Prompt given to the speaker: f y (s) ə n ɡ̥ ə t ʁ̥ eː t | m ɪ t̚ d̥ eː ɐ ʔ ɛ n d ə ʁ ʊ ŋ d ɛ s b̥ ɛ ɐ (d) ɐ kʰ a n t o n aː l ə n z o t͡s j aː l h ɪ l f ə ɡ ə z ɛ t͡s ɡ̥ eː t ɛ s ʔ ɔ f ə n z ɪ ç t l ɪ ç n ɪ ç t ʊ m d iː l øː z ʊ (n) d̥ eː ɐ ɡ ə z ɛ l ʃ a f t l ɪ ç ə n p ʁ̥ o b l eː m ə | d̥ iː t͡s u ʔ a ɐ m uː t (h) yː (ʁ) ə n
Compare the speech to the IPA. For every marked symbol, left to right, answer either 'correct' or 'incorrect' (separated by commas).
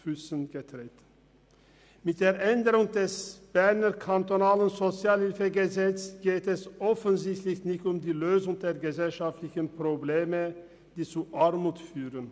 correct, incorrect, incorrect, incorrect, correct